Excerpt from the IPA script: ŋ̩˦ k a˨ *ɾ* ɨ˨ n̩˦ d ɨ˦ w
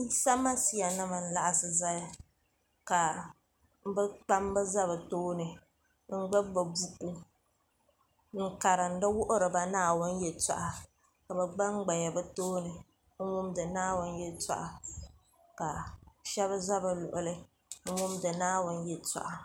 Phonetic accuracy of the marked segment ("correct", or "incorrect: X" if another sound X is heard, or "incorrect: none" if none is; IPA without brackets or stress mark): correct